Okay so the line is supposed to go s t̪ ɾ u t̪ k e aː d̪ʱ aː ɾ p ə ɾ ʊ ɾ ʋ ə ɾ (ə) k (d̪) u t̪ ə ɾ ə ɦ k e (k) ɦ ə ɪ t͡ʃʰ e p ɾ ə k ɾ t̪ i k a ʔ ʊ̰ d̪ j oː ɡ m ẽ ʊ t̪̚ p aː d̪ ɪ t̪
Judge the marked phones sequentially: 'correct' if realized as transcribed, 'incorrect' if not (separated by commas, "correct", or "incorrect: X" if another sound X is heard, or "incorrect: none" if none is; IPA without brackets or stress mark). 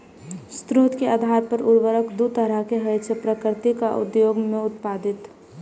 correct, correct, incorrect: none